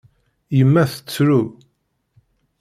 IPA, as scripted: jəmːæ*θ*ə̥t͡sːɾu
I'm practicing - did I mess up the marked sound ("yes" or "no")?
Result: no